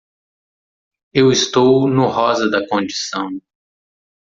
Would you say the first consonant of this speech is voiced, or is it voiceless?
voiced